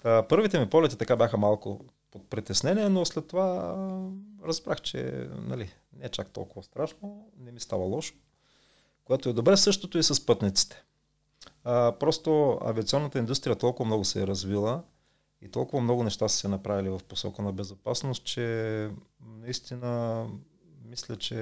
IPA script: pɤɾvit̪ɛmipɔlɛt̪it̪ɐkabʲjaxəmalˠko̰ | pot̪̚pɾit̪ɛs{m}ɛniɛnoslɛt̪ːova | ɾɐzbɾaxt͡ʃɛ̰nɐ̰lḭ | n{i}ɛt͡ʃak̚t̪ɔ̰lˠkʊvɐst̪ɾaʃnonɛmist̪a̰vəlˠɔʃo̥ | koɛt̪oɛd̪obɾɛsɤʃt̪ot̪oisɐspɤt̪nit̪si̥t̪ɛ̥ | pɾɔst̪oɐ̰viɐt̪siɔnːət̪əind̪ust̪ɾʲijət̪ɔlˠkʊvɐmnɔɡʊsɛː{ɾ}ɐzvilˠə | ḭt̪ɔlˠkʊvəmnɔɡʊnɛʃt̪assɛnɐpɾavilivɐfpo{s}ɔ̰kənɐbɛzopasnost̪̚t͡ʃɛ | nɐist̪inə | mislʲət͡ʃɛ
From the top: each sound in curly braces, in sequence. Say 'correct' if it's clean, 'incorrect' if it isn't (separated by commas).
incorrect, incorrect, correct, correct